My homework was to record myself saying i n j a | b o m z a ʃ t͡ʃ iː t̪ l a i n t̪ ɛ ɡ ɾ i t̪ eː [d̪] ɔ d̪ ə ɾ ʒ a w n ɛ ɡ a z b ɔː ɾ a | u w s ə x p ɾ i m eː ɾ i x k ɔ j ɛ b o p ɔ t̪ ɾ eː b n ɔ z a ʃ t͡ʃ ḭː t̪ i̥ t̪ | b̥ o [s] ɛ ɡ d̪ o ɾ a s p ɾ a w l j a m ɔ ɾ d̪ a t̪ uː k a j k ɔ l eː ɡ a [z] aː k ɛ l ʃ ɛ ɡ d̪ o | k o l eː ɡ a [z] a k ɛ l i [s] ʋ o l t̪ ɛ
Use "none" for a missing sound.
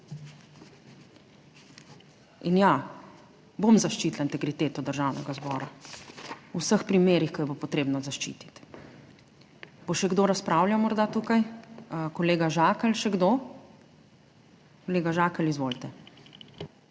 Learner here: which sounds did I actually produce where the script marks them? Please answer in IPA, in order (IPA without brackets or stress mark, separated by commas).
t̪, ʃ, ʒ, ʒ, z